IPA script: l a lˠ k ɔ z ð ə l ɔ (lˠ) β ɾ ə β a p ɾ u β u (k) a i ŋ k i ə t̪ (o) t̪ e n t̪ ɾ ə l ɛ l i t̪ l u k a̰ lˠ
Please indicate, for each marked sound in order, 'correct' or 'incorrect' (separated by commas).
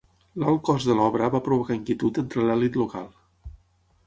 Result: incorrect, correct, incorrect